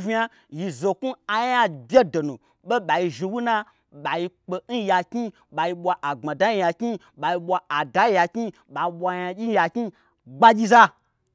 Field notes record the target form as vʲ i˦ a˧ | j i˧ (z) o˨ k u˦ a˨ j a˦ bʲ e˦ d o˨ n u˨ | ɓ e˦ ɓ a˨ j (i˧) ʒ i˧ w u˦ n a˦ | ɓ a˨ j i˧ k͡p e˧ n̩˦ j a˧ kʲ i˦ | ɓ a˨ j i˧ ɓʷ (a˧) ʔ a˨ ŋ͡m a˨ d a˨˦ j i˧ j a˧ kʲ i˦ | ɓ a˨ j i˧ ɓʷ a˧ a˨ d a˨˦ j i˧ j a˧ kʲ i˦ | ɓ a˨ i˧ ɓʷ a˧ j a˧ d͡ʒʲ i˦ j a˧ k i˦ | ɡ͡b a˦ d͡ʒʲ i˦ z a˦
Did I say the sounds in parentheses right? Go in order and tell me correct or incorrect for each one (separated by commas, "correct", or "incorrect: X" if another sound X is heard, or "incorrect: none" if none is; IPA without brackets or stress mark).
correct, correct, correct